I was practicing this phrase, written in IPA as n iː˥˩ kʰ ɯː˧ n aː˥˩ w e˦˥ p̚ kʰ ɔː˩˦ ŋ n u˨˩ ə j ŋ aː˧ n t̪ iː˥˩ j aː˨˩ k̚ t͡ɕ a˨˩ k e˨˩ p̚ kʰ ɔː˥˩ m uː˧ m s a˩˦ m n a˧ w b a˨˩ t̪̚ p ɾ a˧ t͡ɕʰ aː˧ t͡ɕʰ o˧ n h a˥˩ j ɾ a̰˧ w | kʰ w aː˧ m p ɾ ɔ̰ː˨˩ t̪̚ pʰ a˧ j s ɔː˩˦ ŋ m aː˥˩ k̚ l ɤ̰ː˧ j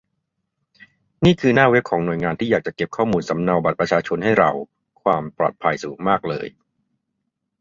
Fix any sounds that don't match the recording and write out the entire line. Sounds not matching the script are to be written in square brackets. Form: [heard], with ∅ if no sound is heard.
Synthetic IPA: n iː˥˩ kʰ ɯː˧ n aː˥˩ w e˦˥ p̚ kʰ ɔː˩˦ ŋ n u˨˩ ə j ŋ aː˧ n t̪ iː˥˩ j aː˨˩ k̚ t͡ɕ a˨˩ k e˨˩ p̚ kʰ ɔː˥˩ m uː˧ [n] s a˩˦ m n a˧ w b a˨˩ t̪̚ p ɾ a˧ t͡ɕʰ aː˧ t͡ɕʰ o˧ n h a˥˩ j ɾ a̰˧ w | kʰ w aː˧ m p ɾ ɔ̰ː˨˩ t̪̚ pʰ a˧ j s [uː˩˦] ŋ m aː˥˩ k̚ l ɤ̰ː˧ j